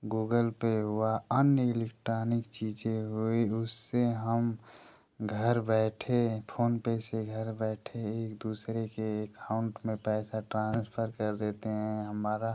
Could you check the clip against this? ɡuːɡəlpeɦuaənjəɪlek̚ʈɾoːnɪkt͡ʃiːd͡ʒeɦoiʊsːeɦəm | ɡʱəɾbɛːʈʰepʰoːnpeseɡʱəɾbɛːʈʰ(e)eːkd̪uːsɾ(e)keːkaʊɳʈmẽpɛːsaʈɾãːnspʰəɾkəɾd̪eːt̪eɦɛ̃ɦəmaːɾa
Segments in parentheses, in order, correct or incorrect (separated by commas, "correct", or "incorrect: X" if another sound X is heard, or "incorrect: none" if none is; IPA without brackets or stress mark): correct, correct